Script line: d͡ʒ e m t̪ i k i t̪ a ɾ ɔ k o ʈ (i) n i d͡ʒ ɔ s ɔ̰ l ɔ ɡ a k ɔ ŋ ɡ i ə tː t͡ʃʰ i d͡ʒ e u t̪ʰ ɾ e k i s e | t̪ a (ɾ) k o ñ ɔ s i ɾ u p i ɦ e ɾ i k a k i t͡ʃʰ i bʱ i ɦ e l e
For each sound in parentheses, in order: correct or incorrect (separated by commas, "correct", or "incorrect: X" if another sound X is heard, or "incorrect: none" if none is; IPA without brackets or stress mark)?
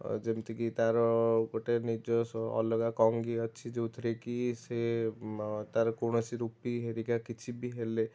incorrect: e, correct